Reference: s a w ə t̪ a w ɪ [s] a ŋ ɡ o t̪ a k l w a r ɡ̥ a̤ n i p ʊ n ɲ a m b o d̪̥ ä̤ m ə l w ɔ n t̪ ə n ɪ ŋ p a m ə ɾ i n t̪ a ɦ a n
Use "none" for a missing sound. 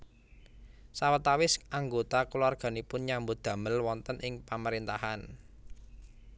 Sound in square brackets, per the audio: s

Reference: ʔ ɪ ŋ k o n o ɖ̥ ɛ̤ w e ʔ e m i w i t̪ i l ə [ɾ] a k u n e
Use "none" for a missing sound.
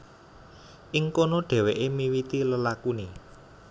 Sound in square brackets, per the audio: l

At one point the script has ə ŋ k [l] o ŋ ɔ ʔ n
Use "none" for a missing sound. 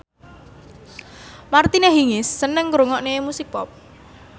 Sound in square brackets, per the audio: ɾ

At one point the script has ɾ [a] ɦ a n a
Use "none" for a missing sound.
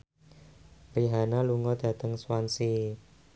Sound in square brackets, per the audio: i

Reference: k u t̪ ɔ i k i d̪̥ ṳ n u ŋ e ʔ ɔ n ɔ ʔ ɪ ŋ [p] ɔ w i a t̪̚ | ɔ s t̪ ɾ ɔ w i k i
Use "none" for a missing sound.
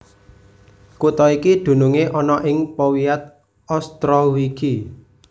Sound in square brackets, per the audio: p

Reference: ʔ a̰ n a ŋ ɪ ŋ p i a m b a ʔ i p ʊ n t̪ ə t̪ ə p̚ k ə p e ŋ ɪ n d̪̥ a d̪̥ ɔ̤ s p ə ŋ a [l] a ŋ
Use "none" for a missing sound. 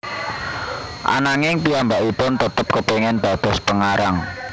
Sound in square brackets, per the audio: ɾ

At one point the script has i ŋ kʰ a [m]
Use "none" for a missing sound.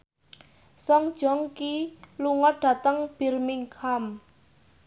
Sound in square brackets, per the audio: m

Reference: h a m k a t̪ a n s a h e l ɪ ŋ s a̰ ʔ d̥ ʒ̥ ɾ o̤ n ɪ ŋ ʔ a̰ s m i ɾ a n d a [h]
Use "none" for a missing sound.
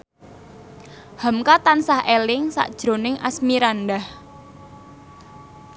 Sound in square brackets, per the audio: h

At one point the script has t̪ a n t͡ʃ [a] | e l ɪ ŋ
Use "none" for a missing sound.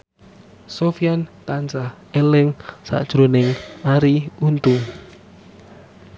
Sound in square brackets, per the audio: a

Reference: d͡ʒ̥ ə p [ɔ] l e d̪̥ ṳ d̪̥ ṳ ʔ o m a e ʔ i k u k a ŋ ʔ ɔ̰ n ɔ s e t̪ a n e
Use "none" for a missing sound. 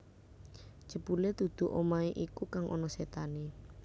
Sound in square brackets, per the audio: u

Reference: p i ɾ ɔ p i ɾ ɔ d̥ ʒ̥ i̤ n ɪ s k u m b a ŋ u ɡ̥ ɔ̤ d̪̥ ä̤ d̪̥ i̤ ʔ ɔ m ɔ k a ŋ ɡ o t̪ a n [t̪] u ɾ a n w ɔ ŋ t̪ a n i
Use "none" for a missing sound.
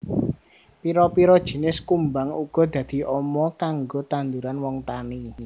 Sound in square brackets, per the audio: d̪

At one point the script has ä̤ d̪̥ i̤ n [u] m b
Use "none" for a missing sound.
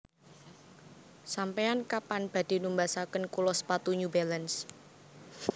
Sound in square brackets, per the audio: u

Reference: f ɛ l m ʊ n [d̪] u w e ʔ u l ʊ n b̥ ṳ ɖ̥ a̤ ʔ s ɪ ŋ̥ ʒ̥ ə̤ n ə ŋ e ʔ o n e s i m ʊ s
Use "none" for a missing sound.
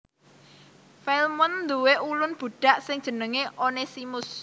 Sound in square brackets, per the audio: d̪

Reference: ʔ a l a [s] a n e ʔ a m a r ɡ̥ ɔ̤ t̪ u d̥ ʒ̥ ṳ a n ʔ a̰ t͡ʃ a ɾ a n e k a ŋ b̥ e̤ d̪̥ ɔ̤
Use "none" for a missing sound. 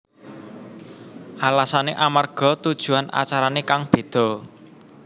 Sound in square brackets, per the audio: s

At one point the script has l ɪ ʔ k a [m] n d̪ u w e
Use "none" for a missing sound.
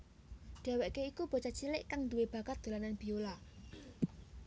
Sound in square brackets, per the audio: ŋ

